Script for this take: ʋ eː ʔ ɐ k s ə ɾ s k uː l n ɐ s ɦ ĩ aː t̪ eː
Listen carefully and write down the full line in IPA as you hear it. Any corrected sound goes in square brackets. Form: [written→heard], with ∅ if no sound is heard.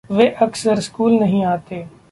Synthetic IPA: ʋ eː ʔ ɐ k s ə ɾ s k uː l n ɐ [s→∅] ɦ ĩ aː t̪ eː

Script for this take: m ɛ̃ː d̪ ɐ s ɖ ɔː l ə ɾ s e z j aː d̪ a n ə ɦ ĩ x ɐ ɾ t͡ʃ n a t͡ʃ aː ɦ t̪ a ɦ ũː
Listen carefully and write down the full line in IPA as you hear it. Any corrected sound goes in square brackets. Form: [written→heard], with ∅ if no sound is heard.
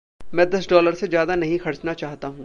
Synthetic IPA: m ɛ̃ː d̪ ɐ s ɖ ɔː l ə ɾ s e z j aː d̪ a n [ə→ɐ] ɦ ĩ x ɐ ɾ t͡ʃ n a t͡ʃ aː ɦ t̪ a ɦ ũː

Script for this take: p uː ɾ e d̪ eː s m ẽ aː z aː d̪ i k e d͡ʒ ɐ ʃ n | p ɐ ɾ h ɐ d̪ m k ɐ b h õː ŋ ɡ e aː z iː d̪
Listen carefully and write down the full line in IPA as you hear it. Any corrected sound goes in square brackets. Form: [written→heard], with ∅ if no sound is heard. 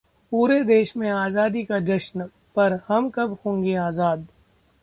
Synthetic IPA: p uː ɾ e d̪ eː [s→ʃ] m ẽ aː z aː d̪ i k [e→a] d͡ʒ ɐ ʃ n | p ɐ ɾ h ɐ [d̪→∅] m k ɐ b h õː ŋ ɡ e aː z [iː→aː] d̪

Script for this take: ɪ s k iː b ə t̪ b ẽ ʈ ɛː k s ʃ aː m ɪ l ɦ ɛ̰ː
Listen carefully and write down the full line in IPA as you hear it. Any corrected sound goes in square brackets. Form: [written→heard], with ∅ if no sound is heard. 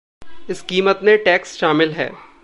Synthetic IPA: ɪ s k iː [b→m] ə t̪ [b→m] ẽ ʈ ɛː k s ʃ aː m ɪ l ɦ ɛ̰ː

